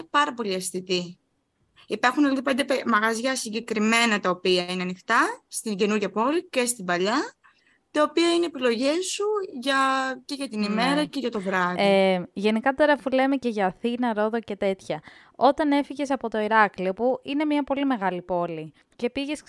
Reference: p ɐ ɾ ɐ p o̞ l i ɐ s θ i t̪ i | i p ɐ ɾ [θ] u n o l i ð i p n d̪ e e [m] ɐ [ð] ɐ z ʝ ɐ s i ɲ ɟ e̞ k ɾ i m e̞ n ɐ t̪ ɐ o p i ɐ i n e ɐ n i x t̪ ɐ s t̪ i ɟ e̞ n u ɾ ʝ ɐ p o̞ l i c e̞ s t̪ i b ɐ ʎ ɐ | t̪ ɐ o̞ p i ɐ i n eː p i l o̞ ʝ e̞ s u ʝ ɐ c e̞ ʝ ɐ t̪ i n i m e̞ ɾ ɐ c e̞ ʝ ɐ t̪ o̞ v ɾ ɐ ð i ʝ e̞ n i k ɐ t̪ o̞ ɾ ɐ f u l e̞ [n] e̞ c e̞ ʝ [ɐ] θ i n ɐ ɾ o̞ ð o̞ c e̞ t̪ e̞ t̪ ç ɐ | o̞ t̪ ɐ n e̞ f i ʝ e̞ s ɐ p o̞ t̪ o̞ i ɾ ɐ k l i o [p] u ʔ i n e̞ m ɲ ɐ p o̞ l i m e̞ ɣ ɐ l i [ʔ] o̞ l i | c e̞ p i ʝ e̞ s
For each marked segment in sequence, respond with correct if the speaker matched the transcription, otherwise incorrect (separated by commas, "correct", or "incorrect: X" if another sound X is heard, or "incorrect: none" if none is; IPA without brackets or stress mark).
incorrect: x, correct, incorrect: ɣ, incorrect: m, incorrect: ɐː, correct, incorrect: p